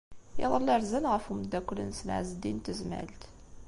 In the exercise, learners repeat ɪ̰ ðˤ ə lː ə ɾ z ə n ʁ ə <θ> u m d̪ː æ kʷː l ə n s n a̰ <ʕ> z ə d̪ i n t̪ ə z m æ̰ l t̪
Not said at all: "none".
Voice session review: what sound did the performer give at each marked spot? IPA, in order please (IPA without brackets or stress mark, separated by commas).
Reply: f, ʕ